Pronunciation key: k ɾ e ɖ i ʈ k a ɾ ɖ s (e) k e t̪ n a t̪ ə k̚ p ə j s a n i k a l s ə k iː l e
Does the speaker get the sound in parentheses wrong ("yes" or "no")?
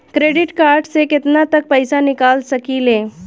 no